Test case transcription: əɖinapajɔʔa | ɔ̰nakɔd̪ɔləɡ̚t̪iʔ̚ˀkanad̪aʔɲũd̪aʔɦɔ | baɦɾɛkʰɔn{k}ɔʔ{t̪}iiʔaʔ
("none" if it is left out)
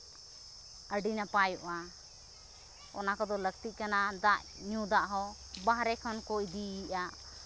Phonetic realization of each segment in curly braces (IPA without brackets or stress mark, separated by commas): k, d̪